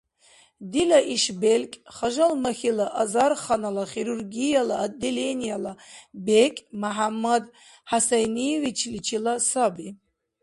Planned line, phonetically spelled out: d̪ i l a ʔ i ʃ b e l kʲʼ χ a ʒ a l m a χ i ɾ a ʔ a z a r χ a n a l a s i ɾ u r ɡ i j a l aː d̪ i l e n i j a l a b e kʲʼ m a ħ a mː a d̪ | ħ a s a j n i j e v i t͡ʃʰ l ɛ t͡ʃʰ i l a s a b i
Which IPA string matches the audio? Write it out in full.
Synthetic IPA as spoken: d̪ i l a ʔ i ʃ b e l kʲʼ χ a ʒ a l m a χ i l a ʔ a z a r χ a n a l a χ i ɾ u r ɡ i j a l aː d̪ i l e n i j a l a b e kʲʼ m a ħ a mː a d̪ | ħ a s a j n i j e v i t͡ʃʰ l i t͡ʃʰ i l a s a b i